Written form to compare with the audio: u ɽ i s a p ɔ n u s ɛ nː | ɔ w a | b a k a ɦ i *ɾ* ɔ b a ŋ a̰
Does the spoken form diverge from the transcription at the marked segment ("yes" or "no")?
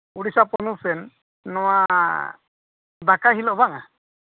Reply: yes